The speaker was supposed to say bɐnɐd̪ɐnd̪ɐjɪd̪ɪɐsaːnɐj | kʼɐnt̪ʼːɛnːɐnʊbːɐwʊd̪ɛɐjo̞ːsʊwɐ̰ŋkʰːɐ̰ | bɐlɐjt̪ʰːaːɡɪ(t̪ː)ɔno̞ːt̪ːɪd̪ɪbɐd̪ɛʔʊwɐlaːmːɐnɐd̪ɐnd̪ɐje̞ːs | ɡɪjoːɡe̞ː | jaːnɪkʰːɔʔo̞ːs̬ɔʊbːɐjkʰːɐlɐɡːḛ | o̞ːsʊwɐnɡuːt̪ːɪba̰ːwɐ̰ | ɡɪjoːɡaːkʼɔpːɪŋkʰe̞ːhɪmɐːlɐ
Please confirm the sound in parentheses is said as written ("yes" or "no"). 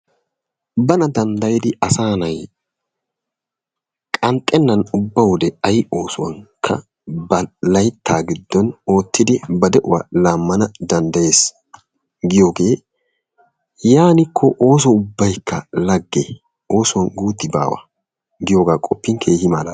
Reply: no